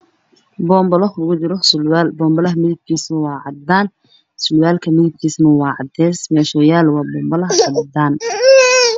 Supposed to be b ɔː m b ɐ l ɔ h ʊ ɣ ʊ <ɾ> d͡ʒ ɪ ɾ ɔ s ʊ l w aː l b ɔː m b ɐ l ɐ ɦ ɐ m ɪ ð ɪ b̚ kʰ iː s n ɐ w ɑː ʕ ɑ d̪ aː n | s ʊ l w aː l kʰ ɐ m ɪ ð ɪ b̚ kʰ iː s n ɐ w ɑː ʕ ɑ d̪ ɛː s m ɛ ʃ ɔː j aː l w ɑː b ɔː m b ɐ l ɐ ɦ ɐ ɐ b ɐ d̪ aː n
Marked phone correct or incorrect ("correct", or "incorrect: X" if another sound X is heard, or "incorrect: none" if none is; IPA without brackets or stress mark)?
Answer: incorrect: none